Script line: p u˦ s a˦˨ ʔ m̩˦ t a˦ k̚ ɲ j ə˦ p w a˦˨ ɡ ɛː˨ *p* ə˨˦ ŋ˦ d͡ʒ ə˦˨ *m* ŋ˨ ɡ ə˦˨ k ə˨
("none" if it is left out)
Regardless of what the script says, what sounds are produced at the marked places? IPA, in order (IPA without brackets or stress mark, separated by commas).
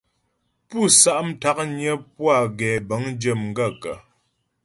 b, m